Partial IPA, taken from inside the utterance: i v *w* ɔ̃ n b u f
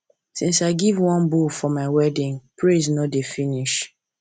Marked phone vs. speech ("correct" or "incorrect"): correct